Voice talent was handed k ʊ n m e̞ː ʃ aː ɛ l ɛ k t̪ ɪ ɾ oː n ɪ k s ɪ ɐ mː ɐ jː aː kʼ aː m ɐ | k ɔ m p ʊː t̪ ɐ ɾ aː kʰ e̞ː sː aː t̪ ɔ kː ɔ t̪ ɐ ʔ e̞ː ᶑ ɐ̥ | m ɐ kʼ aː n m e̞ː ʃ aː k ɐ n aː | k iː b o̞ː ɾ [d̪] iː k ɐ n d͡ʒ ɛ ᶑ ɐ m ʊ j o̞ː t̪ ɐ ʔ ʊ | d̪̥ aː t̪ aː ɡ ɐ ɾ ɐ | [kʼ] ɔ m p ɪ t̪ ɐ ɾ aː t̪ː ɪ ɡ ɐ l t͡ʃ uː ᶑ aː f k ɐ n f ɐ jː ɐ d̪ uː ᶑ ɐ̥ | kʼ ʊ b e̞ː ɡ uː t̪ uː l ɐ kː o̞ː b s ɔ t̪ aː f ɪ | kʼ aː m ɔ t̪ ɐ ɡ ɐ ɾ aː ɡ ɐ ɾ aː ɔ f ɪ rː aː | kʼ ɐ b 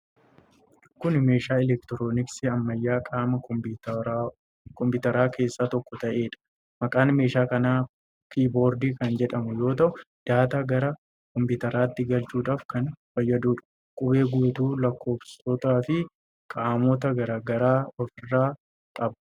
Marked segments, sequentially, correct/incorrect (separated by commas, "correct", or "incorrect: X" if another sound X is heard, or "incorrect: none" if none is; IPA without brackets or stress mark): correct, incorrect: k